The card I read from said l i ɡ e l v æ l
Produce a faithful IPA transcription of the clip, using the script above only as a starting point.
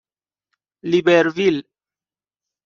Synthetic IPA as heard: l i b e ɾ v i l

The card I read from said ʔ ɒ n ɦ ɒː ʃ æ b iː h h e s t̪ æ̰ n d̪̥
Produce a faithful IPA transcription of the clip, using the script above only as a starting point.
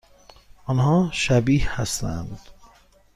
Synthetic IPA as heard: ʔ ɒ n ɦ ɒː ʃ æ b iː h h æ s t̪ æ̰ n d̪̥

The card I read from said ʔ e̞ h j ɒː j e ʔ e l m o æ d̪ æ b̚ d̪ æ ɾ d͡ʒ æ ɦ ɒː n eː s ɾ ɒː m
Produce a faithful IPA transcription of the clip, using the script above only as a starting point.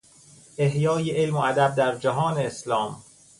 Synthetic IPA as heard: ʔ e̞ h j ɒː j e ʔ e l m o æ d̪ æ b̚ d̪ æ ɾ d͡ʒ æ ɦ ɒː n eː s l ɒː m

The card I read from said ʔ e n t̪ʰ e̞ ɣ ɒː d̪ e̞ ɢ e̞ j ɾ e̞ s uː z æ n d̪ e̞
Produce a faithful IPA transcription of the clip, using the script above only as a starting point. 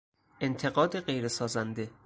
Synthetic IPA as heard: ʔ e n t̪ʰ e̞ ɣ ɒː d̪ e̞ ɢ e̞ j ɾ e̞ s ɒː z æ n d̪ e̞

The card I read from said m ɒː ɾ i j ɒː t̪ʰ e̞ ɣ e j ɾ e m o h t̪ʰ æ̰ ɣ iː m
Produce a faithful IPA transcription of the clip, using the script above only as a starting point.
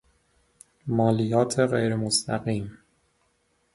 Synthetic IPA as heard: m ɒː l i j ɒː t̪ʰ e̞ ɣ e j ɾ e m o s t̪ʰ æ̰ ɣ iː m

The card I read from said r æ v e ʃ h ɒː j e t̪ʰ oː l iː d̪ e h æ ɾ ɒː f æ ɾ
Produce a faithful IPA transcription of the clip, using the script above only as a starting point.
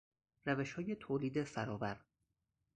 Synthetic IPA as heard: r æ v e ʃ h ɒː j e t̪ʰ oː l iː d̪ e f æ ɾ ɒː v æ ɾ

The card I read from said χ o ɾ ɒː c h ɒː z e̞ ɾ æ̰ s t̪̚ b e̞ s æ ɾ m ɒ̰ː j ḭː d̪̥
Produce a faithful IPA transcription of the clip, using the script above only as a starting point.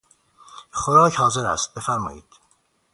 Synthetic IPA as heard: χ o ɾ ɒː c h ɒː z e̞ ɾ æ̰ s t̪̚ b e̞ f æ ɾ m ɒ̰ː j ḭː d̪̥

